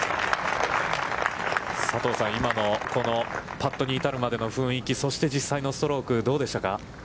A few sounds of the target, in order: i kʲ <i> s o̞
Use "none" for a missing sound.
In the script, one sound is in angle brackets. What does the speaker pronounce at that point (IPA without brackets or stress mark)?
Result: i